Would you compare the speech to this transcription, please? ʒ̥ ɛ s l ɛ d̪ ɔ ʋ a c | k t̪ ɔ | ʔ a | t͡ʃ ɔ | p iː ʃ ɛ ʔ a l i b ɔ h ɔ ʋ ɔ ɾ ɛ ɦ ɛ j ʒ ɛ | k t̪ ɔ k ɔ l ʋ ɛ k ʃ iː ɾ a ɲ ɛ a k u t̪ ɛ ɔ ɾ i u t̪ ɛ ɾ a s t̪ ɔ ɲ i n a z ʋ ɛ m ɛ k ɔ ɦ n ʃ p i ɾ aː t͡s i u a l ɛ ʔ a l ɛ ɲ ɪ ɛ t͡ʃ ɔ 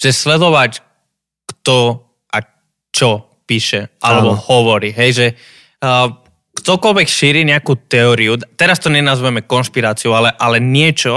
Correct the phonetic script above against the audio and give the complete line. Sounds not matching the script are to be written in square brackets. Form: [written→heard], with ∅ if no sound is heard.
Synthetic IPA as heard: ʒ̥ ɛ s l ɛ d̪ ɔ ʋ a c | k t̪ ɔ | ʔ a | t͡ʃ ɔ | p iː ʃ ɛ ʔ a l [i→ɛ] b ɔ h ɔ ʋ ɔ ɾ [ɛ→i] ɦ ɛ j ʒ ɛ | k t̪ ɔ k ɔ l ʋ ɛ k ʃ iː ɾ [a→i] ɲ ɛ a k u t̪ ɛ ɔ ɾ i u t̪ ɛ ɾ a s t̪ ɔ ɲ [i→ɛ] n a z ʋ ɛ m ɛ k ɔ [ɦ→∅] n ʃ p i ɾ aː t͡s i u a l ɛ ʔ a l ɛ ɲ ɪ ɛ t͡ʃ ɔ